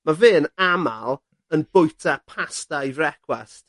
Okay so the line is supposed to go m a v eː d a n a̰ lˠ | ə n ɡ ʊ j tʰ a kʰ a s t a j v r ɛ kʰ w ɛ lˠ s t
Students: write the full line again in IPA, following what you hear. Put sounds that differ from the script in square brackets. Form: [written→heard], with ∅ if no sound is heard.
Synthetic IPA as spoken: m a v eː [d→n] a [n→m] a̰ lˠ | ə n [ɡ→b] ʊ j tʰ a [kʰ→pʰ] a s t a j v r ɛ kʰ w ɛ [lˠ→∅] s t

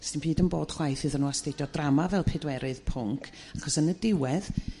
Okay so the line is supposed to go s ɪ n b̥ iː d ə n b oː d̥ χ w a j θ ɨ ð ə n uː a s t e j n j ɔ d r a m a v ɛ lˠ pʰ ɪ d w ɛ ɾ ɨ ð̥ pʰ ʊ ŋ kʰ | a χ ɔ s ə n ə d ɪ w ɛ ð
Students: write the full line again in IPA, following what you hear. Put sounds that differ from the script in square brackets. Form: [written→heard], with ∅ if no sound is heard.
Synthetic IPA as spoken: s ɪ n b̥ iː d ə n b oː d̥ χ w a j θ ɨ ð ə n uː a s t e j [n→d] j ɔ d r a m a v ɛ lˠ pʰ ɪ d w ɛ ɾ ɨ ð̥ pʰ ʊ ŋ kʰ | a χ ɔ s ə n ə d ɪ w ɛ ð

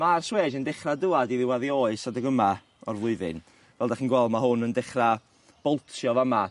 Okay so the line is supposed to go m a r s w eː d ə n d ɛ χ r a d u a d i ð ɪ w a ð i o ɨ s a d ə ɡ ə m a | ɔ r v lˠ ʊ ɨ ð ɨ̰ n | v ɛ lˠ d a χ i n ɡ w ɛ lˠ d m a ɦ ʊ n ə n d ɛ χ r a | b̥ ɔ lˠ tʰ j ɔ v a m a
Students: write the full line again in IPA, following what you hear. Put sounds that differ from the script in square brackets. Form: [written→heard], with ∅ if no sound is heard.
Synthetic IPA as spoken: m a r s w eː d ə n d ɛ χ r a d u a d i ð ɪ w a ð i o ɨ s a d ə ɡ ə m a | ɔ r v lˠ ʊ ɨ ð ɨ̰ n | v ɛ lˠ d a χ i n ɡ w ɛ lˠ d m a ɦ ʊ n ə n d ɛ χ r a | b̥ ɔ lˠ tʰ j ɔ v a m a

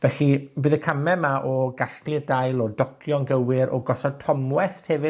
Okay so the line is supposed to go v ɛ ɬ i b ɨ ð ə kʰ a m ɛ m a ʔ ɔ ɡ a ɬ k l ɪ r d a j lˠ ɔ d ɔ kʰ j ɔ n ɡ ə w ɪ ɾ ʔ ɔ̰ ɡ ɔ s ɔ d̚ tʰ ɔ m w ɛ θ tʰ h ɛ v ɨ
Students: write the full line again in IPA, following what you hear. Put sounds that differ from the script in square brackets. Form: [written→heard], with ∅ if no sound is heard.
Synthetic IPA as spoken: v ɛ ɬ i b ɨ ð ə kʰ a m ɛ m a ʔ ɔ ɡ a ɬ k l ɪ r d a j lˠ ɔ d ɔ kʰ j ɔ n ɡ ə w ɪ ɾ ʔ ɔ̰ ɡ ɔ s ɔ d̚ tʰ ɔ m w ɛ θ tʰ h ɛ v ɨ

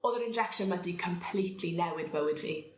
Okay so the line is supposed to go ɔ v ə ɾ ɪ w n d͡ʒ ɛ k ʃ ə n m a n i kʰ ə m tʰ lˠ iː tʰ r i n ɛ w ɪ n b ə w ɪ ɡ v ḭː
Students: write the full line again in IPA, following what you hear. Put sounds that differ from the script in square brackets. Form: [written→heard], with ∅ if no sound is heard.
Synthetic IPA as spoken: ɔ [v→ð] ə ɾ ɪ [w→∅] n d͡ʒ ɛ k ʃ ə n m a [n→d] i kʰ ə m [tʰ→pʰ] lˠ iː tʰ [r→l] i n ɛ w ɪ [n→d] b ə w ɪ [ɡ→d] v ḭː

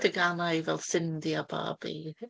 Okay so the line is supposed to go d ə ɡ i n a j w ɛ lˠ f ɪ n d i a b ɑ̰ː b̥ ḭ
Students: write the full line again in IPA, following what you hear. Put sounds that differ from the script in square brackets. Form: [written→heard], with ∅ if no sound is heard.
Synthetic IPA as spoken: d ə ɡ [i→a] n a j [w→v] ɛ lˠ [f→s] ɪ n d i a b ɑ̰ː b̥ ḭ

